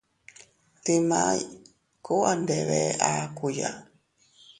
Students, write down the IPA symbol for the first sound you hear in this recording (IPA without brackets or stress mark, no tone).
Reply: t